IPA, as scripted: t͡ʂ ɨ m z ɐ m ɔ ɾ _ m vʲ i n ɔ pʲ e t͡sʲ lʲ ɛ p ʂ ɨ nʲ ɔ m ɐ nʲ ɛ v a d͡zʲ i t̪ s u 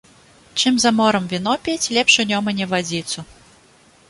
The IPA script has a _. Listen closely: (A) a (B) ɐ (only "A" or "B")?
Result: B